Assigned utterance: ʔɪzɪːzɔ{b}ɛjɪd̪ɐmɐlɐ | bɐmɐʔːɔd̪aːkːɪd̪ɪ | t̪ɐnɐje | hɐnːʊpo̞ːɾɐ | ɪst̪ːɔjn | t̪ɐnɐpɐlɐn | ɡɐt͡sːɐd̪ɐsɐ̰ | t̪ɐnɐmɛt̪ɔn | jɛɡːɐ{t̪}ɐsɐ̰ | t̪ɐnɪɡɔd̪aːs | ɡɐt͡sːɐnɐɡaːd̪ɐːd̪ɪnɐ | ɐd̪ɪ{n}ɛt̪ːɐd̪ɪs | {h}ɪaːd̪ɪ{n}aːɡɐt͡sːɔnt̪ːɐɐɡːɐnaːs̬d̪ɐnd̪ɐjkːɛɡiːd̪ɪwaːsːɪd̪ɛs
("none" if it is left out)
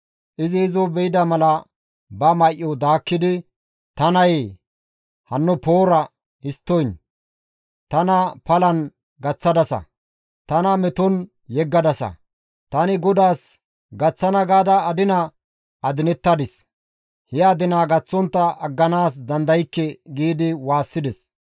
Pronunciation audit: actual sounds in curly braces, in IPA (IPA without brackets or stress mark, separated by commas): b, d̪, n, h, n